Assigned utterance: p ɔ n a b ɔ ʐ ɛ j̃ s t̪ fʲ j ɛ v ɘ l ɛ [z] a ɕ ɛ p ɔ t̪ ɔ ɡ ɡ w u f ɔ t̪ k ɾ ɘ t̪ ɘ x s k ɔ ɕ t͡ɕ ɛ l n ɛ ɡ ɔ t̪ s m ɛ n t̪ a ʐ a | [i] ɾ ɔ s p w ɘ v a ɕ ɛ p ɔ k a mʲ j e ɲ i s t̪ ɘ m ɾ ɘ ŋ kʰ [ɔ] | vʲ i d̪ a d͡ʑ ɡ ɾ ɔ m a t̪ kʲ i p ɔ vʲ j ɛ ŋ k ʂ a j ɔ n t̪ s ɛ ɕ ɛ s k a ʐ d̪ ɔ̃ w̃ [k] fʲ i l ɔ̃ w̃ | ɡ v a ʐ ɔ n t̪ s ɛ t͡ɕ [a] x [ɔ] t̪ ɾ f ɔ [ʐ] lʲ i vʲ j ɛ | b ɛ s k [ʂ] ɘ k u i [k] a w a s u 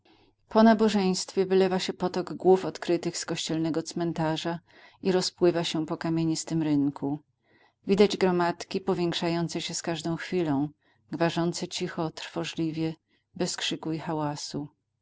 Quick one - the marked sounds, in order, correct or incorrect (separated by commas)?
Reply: incorrect, correct, incorrect, incorrect, incorrect, correct, correct, correct, incorrect